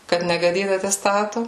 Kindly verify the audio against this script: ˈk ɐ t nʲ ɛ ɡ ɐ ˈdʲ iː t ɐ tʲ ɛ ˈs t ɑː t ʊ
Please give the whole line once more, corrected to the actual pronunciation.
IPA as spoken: ˈk ɐ t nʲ ɛ ɡ ɐ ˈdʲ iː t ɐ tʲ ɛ ˈs t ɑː t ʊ